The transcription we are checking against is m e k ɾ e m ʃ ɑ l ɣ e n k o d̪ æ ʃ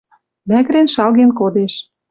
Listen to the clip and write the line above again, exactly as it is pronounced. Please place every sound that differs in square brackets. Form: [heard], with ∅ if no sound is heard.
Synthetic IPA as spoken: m [æ] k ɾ e [n] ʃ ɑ l ɣ e n k o d̪ [e] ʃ